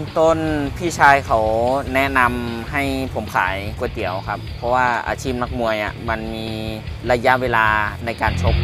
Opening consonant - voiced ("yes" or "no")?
no